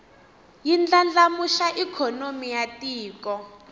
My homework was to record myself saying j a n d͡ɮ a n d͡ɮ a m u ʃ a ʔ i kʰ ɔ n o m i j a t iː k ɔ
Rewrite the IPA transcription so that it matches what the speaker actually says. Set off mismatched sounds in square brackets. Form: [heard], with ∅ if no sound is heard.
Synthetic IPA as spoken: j [i] n d͡ɮ a n d͡ɮ a m u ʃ a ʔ i kʰ ɔ n o m i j a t iː k ɔ